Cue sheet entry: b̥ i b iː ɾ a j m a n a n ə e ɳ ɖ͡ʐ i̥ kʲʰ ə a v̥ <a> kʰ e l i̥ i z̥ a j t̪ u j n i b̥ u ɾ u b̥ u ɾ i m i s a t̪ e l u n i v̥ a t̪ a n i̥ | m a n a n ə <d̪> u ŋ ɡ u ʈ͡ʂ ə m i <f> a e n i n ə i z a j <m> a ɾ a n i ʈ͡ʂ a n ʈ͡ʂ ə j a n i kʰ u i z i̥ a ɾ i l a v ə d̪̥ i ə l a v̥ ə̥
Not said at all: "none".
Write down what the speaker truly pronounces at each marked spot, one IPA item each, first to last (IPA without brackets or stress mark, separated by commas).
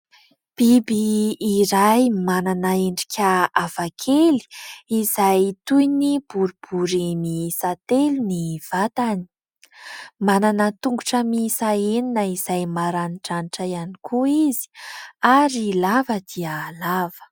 a, t̪, s, m